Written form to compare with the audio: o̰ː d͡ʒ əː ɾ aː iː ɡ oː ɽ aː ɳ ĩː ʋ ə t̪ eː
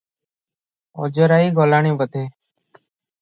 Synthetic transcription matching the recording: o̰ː d͡ʒ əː ɾ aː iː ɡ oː l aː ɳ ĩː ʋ ə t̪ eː